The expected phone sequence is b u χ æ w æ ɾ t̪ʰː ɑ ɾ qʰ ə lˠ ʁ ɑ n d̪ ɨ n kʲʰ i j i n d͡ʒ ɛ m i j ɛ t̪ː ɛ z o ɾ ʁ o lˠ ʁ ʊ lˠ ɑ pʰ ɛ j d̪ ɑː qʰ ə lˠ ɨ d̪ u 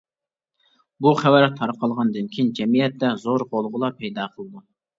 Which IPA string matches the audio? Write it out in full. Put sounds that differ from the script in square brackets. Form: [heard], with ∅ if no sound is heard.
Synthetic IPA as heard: b u χ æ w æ ɾ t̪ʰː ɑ ɾ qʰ [ɑ] lˠ ʁ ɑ n d̪ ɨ n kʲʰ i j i n d͡ʒ ɛ m i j ɛ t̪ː ɛ z o ɾ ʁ o lˠ ʁ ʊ lˠ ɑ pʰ ɛ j d̪ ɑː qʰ ə lˠ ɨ d̪ u